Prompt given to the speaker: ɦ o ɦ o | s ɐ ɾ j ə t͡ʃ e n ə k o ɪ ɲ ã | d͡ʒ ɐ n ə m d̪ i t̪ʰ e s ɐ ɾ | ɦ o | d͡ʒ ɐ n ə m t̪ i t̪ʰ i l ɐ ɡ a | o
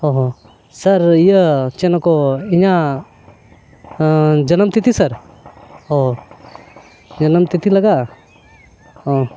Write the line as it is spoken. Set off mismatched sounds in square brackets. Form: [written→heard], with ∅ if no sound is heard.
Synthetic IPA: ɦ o ɦ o | s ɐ ɾ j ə t͡ʃ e n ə k o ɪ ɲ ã | d͡ʒ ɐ n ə m [d̪→t̪] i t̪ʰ [e→i] s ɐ ɾ | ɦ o | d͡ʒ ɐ n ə m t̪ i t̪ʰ i l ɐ ɡ a | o